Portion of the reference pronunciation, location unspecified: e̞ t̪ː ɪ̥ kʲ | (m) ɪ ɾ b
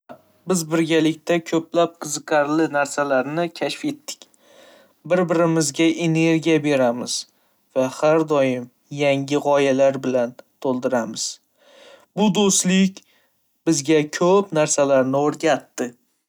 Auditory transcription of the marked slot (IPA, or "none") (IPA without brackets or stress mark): b